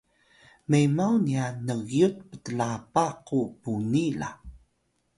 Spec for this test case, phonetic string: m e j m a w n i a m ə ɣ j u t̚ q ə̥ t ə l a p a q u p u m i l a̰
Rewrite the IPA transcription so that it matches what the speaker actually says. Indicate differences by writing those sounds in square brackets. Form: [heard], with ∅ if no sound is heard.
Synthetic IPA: m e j m a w n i a [n] ə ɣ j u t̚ [p] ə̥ t ə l a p a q u p u [n] i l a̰